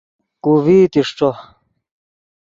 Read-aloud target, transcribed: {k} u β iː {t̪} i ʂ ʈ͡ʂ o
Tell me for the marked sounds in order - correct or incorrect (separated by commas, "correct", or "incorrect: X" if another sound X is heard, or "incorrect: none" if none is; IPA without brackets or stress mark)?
correct, correct